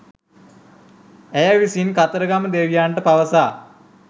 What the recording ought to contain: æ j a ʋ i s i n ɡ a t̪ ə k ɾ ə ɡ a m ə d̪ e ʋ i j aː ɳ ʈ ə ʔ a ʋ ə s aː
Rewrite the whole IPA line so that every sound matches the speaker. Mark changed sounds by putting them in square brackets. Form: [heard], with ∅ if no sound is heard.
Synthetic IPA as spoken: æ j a ʋ i s i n [k] a t̪ ə [∅] ɾ ə ɡ a m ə d̪ e ʋ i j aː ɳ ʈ ə [p] a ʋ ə s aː